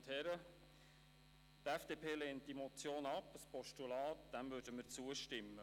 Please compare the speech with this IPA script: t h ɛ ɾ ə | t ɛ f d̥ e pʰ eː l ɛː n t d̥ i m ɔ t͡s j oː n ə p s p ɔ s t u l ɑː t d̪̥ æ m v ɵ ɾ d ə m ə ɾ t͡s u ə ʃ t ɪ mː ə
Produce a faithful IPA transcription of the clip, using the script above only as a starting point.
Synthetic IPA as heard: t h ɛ ɾ ə | t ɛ f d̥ e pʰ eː l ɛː n t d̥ i m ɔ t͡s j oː n ɑ p s p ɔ ʃ t u l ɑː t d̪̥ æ m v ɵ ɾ d ə m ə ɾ t͡s u ə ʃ t ɪ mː ə